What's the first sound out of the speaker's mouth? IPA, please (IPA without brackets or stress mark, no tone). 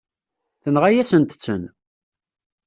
θ